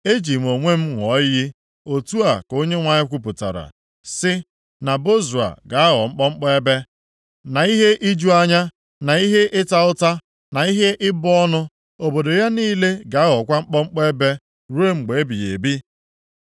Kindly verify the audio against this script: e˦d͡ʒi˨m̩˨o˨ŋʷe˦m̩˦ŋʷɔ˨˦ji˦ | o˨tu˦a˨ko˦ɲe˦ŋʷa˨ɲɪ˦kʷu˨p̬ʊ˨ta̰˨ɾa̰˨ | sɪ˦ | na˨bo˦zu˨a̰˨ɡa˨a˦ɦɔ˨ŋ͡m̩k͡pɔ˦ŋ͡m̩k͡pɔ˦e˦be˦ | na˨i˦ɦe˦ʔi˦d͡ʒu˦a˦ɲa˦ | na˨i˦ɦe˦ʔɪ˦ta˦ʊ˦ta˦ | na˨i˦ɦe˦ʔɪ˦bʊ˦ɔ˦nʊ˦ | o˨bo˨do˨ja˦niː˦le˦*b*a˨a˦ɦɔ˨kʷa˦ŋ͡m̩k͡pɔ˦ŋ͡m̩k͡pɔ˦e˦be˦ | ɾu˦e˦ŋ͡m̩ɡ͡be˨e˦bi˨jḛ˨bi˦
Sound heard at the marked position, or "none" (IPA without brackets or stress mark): ɡ